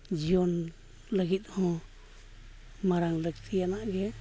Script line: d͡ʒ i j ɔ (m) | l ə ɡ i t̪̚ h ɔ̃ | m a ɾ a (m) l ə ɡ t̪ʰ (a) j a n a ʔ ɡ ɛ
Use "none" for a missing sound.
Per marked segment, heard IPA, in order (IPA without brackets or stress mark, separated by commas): n, ŋ, i